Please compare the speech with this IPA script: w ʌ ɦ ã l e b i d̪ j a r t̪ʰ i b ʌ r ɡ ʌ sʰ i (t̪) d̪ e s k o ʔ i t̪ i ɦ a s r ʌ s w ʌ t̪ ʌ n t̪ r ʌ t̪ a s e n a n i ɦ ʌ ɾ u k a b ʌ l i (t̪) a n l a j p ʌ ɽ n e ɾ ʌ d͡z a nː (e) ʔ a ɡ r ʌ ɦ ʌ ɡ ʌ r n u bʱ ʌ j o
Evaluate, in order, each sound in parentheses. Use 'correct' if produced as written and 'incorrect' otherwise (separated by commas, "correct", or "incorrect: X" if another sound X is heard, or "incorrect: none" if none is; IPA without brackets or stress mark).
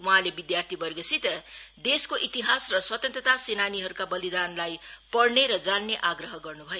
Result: correct, incorrect: d̪, correct